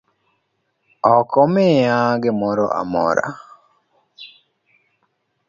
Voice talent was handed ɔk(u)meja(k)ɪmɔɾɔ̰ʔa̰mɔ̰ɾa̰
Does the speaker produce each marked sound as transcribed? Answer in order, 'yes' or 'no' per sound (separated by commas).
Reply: no, no